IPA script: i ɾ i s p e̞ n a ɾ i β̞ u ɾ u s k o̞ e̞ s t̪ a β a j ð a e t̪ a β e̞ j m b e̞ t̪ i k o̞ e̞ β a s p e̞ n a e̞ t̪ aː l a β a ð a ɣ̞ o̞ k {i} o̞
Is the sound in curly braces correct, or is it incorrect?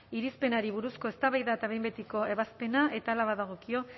correct